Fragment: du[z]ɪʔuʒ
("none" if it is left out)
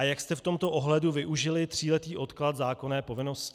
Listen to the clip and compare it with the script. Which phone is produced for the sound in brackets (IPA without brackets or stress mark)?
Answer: v